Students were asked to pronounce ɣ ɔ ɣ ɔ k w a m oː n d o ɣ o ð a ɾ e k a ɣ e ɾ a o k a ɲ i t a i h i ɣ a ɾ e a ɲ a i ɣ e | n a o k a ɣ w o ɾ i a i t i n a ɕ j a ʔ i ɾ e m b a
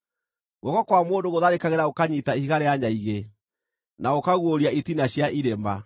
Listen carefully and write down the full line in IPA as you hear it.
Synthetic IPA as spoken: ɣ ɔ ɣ ɔ k w a m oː n d o ɣ o ð a ɾ e k a ɣ e ɾ a o k a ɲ i t a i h i ɣ a ɾ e a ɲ a i ɣ e | n a o k a ɣ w o ɾ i a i t i n a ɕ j a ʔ i ɾ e m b a

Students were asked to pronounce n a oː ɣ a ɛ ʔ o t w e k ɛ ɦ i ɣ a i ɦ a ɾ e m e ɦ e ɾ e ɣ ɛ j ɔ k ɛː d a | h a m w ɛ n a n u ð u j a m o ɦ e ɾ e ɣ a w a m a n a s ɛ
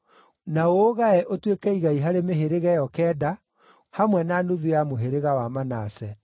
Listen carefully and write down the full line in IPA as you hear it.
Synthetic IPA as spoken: n a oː ɣ a ɛ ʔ o t w e k ɛ i ɣ a i ɦ a ɾ e m e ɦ e ɾ e ɣ ɛ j ɔ k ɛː d a | h a m w ɛ n a n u ð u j a m o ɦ e ɾ e ɣ a w a m a n a s ɛ

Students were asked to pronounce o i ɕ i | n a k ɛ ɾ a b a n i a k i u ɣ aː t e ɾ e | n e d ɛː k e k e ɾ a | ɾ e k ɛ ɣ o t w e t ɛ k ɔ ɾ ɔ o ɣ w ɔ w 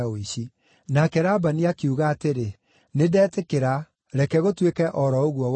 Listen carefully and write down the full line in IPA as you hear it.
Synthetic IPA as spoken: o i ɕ i | n a k ɛ ɾ a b a n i a k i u ɣ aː t e ɾ e | n e d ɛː t e k e ɾ a | ɾ ɛ k ɛ ɣ o t w e k ɛ ʔ ɔ ɾ ɔ o ɣ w ɔ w

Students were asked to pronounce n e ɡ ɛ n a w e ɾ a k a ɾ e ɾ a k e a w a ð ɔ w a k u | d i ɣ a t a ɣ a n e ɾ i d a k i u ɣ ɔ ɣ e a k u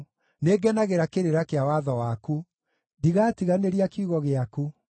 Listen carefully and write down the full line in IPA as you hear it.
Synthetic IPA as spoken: n e ɡ ɛ n a ɣ e ɾ a k e ɾ e ɾ a k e a w a ð ɔ w a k u | d i ɣ a t i ɣ a n e ɾ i a k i u ɣ ɔ ɣ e a k u

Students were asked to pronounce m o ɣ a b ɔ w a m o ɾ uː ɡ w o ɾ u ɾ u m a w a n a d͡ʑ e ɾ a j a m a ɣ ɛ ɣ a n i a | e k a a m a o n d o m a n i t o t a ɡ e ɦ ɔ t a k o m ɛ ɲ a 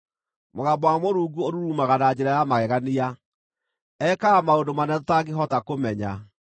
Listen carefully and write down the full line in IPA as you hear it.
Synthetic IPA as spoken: m o ɣ a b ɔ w a m o ɾ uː ɡ u o ɾ u ɾ u m a ɣ a n a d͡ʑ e ɾ a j a m a ɣ ɛ ɣ a n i a | ɛ k a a m a o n d o m a n ɛ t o t a ɡ e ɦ ɔ t a k o m ɛ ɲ a

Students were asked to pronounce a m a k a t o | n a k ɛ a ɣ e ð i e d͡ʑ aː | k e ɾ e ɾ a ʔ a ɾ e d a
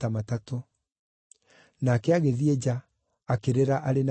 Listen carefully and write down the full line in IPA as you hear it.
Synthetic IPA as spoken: a m a t a t o | n a k ɛ a ɣ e ð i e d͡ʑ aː | k e ɾ e ɾ a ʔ a ɾ e n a

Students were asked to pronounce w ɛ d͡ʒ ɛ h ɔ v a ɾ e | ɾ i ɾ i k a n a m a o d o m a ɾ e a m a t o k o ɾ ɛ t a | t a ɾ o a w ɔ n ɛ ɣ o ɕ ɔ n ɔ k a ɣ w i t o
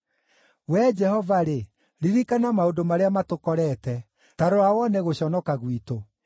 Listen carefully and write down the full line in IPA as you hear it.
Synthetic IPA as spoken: w ɛ d͡ʒ ɛ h ɔ v a ɾ e | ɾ i ɾ i k a n a m a o d o m a ɾ e a m a t o k ɔ ɾ ɛ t ɛ | t a ɾ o a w ɔ n ɛ ɣ o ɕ ɔ n ɔ k a ɣ w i t o

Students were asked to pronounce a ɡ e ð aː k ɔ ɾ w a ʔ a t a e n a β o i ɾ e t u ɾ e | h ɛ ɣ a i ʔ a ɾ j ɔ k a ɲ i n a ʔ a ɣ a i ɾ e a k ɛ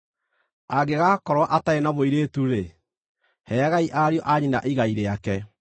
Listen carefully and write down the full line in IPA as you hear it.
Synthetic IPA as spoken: a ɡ e ɣ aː k ɔ ɾ w a ʔ a t a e n a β o i ɾ e t u ɾ e | h ɛ ɣ a i ʔ a ɾ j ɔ ʔ a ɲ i n a ʔ i ɣ a i ɾ e a k ɛ

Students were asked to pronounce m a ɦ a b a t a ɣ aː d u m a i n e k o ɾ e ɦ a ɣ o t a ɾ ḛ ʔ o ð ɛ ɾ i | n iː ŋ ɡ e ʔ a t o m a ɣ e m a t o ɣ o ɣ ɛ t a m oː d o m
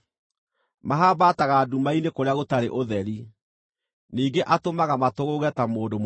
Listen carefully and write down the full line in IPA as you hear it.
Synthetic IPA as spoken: m a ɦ a b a t a ɣ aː d u m a i n e k o ɾ e a ɣ o t a ɾ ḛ ʔ o ð ɛ ɾ i | n iː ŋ ɡ e ʔ a t o m a ɣ a m a t o ɣ o ɣ ɛ t a m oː d o m

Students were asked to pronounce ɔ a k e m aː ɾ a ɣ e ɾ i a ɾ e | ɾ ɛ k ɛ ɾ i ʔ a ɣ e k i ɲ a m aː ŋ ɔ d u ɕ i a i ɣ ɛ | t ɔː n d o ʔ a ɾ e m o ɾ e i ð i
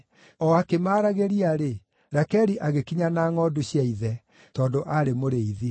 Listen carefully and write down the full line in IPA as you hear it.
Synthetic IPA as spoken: ɔ a k e m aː ɾ a ɣ e ɾ i a ɾ e | ɾ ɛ k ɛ ɾ i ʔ a ɣ e k i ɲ a n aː ŋ ɔ d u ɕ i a i ð ɛ | t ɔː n d o ʔ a ɾ e m o ɾ e i ð i

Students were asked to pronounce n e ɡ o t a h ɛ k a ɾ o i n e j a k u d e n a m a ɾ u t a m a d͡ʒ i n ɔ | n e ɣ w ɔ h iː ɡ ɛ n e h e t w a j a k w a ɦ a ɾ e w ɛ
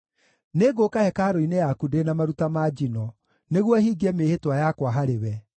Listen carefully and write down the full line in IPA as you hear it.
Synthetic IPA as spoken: n e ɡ o k a h ɛ k a ɾ o i n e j a k u d e n a m a ɾ u t a m a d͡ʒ i n ɔ | n e ɣ w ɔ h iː ɡ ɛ m e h e t w a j a k w a ɦ a ɾ e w ɛ

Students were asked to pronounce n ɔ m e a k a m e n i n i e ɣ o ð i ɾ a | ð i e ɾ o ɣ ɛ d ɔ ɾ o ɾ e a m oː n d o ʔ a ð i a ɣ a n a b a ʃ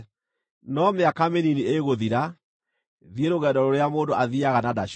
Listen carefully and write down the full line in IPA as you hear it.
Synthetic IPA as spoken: n ɔ m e a k a m e n i n i e ɣ o ð i ɾ a | ð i e ɾ o ɣ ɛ d ɔ ɾ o ɾ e a m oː n d o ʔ a ð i a ɣ a n a d a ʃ

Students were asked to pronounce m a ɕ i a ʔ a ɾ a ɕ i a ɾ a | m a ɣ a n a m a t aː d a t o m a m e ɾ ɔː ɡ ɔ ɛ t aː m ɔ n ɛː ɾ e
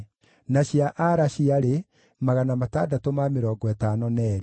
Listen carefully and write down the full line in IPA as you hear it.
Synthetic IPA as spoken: n a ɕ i a ʔ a ɾ a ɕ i a ɾ e | m a ɣ a n a m a t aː d a t o m a m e ɾ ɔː ɡ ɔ ɛ t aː n ɔ n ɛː ɾ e

